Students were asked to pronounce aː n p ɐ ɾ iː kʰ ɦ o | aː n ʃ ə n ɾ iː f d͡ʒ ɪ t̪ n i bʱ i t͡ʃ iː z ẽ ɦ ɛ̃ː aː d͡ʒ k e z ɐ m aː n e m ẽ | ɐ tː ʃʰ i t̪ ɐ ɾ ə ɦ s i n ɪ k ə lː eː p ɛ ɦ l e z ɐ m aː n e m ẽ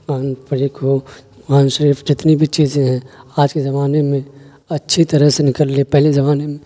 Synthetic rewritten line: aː n p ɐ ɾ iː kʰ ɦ o | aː n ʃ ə ɾ iː f d͡ʒ ɪ t̪ n i bʱ i t͡ʃ iː z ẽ ɦ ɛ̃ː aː d͡ʒ k e z ɐ m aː n e m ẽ | ɐ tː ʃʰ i t̪ ɐ ɾ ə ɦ s e n ɪ k ə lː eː p ɛ ɦ l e z ɐ m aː n e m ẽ